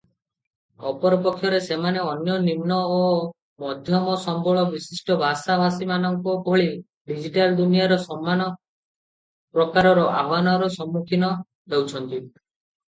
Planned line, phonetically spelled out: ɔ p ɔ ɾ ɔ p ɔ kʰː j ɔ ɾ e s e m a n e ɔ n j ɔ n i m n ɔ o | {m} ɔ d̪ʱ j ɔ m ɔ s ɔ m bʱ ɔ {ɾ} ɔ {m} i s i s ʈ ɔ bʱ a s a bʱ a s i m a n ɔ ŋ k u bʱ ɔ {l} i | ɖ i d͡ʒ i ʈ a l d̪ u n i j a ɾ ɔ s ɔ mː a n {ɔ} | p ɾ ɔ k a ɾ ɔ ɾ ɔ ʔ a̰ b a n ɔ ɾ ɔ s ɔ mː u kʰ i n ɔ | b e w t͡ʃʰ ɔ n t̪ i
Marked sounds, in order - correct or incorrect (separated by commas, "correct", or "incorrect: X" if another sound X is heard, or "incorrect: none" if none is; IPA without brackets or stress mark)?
correct, incorrect: ɭ, incorrect: b, incorrect: ɭ, correct